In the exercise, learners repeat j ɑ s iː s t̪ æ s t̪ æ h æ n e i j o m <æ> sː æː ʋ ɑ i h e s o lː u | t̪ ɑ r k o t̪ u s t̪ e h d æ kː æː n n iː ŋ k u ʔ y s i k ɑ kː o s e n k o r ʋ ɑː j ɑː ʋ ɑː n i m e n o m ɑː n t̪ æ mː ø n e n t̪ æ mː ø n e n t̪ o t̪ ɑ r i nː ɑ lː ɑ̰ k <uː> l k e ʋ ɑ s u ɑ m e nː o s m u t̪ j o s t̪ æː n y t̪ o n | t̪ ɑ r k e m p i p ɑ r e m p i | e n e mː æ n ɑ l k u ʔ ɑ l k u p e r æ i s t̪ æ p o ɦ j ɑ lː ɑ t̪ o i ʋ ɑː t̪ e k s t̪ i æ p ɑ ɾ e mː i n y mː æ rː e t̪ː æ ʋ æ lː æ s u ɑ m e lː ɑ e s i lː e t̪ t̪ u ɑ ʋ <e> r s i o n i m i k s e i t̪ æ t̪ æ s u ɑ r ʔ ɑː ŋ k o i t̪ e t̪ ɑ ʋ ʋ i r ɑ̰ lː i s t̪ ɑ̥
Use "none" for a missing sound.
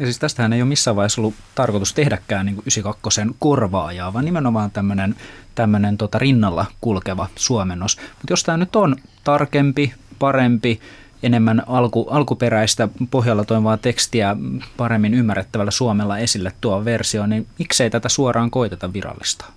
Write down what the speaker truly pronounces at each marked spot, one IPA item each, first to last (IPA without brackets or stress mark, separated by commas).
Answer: i, u, e